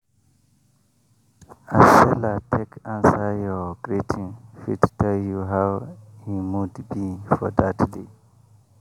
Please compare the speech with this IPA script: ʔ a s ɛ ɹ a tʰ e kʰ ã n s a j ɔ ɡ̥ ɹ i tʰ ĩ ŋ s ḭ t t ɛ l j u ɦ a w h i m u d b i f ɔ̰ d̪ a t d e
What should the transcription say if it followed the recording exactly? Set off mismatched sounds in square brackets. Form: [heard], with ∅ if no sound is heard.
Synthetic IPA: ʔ a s ɛ [l] a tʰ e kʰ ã n s a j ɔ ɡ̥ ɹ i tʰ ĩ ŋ [f] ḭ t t ɛ l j u ɦ a w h i m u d b i f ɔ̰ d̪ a t d e